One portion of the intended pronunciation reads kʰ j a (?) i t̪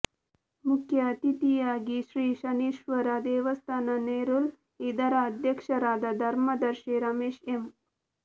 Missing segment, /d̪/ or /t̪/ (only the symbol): t̪